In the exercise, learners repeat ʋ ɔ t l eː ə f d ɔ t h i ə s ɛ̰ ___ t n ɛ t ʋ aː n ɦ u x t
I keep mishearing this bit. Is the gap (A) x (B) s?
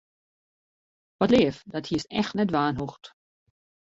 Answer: A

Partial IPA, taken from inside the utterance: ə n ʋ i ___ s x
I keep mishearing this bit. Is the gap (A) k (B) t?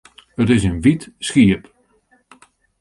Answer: B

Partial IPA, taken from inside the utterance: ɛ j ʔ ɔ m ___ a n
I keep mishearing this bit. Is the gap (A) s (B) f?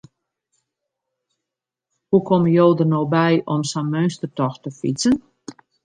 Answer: A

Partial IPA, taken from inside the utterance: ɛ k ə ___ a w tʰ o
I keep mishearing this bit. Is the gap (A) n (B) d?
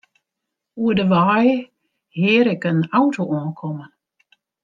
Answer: A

